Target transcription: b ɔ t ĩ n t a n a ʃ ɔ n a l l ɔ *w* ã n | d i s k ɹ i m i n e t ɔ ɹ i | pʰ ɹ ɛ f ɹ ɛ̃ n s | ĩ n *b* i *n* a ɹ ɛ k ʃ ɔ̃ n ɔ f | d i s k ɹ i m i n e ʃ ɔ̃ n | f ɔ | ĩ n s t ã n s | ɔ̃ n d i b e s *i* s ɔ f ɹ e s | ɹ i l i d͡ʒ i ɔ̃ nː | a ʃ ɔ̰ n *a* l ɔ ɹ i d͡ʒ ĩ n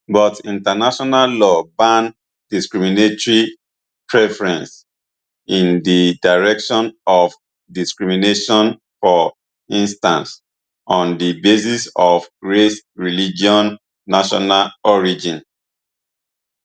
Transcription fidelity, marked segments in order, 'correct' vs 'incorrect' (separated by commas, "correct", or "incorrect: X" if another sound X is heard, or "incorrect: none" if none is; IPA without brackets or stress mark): incorrect: b, incorrect: d, incorrect: d, correct, correct